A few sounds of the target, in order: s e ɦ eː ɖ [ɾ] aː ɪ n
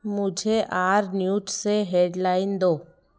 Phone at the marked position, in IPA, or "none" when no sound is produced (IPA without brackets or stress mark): l